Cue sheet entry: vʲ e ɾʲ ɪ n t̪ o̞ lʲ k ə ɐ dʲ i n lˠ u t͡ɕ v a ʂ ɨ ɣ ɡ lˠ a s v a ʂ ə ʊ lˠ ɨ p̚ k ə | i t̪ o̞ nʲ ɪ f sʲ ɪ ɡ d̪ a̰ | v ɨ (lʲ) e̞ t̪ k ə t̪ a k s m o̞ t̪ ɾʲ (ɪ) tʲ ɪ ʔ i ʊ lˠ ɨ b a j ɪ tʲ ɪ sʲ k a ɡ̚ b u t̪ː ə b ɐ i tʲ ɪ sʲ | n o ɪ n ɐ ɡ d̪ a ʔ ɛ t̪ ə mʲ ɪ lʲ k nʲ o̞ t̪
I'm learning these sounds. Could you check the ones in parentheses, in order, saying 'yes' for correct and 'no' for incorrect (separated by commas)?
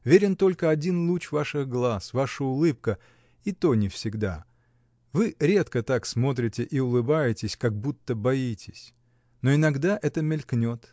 no, yes